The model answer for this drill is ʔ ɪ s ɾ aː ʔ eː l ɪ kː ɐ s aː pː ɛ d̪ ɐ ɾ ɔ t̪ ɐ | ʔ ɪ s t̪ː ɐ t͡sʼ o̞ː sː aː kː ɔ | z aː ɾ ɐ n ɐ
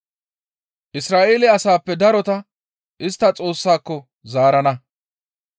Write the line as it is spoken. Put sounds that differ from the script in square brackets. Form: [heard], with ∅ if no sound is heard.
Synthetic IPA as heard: ʔ ɪ s ɾ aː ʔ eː l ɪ [∅] ɐ s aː pː ɛ d̪ ɐ ɾ ɔ t̪ ɐ | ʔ ɪ s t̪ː ɐ t͡sʼ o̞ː sː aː kː ɔ | z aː ɾ ɐ n ɐ